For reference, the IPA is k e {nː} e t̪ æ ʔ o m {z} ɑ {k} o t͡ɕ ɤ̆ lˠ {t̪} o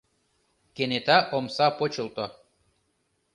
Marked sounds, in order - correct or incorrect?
incorrect, incorrect, incorrect, correct

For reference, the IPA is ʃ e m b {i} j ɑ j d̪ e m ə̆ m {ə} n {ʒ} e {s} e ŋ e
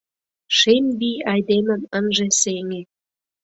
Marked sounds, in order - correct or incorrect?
correct, correct, correct, correct

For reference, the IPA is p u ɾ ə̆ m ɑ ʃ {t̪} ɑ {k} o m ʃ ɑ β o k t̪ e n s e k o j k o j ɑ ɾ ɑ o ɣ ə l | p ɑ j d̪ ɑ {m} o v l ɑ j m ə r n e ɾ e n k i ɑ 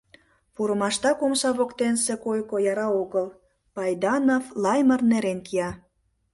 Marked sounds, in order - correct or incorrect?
correct, correct, incorrect

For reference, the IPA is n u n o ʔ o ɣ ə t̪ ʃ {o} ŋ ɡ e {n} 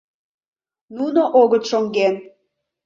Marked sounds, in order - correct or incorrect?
correct, correct

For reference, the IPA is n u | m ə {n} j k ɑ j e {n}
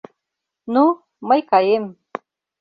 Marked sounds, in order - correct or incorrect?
incorrect, incorrect

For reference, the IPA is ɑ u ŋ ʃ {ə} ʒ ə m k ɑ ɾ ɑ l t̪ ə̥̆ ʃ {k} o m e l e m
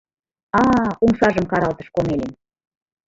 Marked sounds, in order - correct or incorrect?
incorrect, correct

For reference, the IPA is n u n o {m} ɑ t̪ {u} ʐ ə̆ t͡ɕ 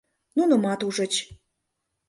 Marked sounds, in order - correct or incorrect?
correct, correct

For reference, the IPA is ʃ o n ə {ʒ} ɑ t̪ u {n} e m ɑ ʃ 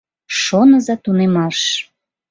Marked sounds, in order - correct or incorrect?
incorrect, correct

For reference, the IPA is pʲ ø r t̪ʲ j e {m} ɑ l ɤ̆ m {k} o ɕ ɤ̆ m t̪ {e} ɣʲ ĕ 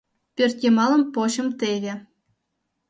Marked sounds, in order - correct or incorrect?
correct, incorrect, correct

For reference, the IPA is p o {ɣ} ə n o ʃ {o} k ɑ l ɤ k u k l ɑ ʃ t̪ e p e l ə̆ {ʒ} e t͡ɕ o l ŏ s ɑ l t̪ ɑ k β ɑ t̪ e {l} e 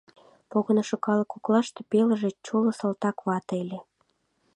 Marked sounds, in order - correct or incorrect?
correct, correct, correct, correct

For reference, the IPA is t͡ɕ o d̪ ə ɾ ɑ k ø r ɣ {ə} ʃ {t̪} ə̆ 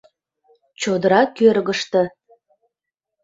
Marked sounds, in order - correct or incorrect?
correct, correct

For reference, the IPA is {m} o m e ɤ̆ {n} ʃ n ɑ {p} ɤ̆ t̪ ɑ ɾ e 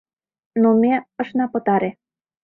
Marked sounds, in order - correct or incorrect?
incorrect, incorrect, correct

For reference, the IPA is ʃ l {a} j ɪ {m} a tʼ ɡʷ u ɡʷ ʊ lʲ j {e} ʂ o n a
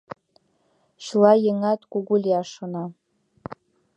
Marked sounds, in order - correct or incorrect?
correct, incorrect, incorrect

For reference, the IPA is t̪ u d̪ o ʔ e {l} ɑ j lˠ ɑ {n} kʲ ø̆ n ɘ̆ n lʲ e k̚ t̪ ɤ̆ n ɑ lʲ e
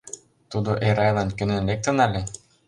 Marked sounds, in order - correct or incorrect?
incorrect, correct

